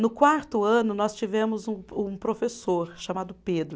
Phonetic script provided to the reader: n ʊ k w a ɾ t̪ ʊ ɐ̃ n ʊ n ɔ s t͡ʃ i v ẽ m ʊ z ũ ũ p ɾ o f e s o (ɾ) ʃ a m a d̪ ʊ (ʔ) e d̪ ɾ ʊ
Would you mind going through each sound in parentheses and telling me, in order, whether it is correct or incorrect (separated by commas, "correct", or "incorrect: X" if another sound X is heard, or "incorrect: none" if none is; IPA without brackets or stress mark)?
correct, incorrect: p